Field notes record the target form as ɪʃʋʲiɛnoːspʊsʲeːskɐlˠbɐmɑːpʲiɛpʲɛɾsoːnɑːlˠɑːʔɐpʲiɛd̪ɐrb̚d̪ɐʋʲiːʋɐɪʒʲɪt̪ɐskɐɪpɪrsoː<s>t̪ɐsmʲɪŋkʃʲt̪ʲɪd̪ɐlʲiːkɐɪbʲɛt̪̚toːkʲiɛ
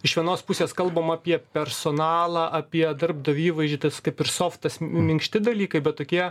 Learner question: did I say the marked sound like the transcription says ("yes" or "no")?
no